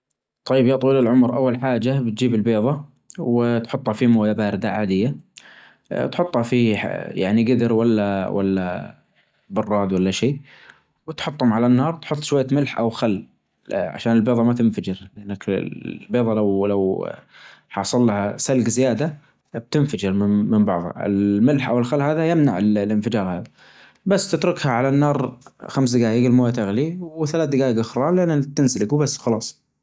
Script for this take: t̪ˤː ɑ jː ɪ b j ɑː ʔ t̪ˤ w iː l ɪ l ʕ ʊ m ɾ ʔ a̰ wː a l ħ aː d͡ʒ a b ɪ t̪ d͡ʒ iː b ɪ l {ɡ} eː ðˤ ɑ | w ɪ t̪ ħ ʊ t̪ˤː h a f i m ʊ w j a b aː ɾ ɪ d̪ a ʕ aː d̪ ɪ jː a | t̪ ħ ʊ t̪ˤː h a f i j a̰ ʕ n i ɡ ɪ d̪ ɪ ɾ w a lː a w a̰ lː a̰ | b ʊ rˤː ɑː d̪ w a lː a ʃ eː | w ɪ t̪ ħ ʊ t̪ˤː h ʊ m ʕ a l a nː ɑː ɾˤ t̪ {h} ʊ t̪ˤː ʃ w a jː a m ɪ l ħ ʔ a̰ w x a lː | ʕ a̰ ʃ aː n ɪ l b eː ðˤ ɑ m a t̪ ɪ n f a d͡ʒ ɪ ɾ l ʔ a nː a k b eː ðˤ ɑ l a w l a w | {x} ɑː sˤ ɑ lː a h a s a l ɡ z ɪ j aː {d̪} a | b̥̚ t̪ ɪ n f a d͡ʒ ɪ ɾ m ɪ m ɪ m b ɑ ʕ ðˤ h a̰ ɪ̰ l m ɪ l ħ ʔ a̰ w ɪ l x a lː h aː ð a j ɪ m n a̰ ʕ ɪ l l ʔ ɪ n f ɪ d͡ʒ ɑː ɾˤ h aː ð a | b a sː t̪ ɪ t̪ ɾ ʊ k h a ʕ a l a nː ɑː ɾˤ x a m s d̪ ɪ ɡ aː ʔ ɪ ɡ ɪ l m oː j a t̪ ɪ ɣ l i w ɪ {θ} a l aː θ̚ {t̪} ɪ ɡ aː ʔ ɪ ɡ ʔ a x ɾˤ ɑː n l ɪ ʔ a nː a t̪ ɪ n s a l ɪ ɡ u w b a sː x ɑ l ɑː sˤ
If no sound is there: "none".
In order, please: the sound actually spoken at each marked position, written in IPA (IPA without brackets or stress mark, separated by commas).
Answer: b, ħ, ħ, d̪, θ, d̪